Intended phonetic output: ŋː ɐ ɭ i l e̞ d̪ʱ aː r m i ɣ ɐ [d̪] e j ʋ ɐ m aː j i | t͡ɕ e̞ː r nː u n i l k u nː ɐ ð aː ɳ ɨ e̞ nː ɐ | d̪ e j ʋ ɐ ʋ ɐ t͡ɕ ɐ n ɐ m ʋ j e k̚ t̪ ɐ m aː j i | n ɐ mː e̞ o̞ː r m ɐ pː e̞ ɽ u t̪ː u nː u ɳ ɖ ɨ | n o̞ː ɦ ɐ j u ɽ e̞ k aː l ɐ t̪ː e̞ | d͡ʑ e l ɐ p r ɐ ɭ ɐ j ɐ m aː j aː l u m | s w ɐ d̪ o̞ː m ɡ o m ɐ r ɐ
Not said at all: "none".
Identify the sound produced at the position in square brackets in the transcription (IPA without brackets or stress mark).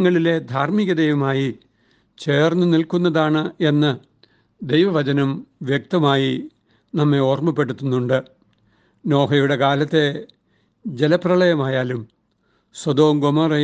d̪